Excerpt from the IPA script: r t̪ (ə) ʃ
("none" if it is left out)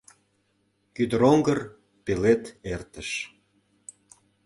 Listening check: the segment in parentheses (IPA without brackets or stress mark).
ə